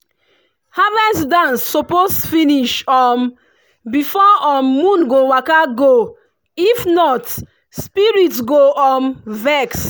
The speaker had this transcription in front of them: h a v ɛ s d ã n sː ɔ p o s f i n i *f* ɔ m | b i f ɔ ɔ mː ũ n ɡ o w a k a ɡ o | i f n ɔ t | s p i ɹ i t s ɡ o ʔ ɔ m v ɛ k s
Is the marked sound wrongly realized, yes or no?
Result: yes